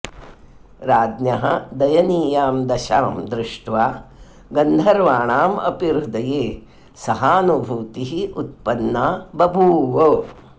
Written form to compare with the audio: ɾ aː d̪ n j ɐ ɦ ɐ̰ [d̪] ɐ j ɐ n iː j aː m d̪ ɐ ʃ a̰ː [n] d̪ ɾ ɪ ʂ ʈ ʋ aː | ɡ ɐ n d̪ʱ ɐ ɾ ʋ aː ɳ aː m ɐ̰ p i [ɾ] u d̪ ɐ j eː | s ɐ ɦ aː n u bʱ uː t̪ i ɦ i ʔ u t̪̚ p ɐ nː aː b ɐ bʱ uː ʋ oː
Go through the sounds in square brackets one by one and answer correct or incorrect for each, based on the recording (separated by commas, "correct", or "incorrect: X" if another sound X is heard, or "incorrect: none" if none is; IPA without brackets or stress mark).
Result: correct, incorrect: m, correct